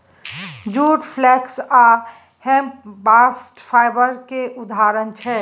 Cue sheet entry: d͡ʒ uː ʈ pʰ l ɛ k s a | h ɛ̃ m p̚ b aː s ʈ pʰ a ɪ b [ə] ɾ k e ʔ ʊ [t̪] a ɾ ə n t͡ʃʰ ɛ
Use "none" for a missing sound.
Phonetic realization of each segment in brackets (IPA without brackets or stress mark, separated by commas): ə, d̪